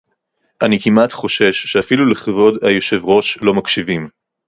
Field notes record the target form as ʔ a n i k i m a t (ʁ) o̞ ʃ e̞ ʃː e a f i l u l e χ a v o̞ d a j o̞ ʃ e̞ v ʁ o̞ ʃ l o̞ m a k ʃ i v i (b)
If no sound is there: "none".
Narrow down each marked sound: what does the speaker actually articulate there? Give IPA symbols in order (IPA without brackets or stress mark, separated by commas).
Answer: χ, m